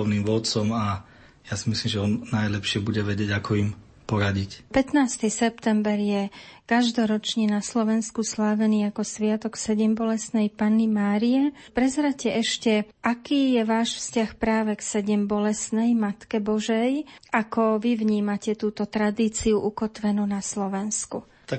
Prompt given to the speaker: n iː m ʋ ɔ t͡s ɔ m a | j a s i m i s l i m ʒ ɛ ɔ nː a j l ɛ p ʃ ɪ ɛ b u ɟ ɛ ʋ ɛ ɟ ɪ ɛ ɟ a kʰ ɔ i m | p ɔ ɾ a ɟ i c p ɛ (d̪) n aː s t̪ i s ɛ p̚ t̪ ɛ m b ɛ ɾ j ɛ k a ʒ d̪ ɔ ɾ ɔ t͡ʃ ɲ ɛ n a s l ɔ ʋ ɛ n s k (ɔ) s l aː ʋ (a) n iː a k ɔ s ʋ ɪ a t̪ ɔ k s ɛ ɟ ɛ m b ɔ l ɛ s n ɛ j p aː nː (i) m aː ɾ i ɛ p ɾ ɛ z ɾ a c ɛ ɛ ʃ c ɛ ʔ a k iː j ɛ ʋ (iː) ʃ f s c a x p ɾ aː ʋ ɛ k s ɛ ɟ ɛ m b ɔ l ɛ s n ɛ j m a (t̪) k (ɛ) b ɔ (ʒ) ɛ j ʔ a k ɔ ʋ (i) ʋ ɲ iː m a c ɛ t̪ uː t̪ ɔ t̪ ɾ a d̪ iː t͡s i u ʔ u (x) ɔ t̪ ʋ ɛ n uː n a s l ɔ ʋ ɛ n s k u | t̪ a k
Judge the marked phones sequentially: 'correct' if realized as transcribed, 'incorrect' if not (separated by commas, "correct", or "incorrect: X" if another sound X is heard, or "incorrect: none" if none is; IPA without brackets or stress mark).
incorrect: t̪, incorrect: u, incorrect: ɛ, correct, incorrect: aː, correct, correct, correct, correct, incorrect: k